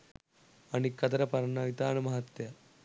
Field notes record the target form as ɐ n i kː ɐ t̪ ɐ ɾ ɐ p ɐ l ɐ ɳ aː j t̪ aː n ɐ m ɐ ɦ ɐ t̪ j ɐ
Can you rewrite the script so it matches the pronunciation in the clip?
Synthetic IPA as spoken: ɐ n i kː ɐ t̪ ɐ ɾ ɐ p ɐ ɾ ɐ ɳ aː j t̪ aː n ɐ m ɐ ɦ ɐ t̪ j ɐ